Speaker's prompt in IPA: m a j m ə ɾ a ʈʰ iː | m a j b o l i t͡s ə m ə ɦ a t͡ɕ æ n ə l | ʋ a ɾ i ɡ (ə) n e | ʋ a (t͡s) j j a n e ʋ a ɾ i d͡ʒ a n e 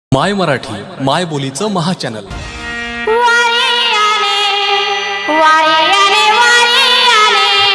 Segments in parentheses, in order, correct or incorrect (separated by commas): incorrect, incorrect